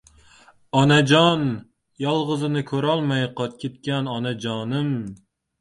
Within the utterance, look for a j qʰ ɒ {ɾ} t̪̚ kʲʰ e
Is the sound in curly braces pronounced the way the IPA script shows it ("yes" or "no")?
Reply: no